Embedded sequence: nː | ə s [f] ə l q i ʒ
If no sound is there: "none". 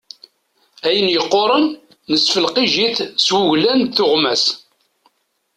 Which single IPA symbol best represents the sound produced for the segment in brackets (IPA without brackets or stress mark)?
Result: f